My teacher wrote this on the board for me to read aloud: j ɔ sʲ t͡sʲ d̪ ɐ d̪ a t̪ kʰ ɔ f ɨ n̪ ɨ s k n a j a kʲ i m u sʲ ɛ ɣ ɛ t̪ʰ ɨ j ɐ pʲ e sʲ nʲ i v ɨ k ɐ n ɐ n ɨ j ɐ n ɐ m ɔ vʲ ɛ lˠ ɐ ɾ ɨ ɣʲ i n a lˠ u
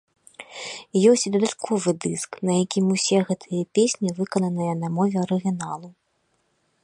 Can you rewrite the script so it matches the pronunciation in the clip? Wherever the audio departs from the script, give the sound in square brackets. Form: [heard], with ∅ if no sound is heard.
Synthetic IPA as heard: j ɔ sʲ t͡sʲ d̪ ɐ d̪ a t̪ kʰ ɔ [v] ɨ [d̪] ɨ s k n [ɐ] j a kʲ i m u sʲ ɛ ɣ ɛ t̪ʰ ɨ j ɐ pʲ e sʲ nʲ i v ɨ k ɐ n ɐ n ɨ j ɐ n ɐ m ɔ vʲ ɛ [∅] ɐ ɾ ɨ ɣʲ i n a lˠ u